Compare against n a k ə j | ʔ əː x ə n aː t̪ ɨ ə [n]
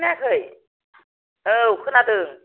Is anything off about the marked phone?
yes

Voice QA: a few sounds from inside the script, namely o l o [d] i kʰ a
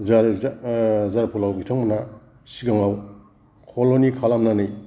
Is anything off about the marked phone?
yes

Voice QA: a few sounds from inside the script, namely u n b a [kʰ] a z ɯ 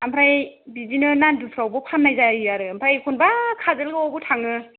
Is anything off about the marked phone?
no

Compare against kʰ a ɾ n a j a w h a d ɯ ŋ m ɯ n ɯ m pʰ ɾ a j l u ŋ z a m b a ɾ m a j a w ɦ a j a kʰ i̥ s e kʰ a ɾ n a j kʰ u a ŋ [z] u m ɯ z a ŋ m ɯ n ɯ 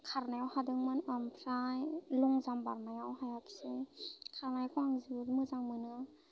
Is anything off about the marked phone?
no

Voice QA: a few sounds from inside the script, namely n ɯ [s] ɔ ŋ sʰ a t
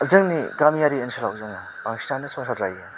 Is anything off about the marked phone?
no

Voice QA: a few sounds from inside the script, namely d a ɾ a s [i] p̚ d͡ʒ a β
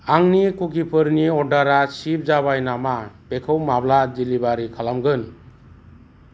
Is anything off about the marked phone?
no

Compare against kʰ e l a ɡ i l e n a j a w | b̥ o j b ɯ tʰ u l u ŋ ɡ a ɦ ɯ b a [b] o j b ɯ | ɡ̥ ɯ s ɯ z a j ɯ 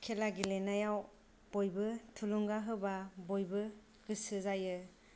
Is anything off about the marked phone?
no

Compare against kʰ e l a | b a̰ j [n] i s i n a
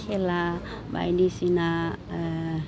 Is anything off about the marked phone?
no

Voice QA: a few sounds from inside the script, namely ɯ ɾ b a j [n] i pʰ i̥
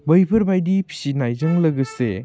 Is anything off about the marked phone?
yes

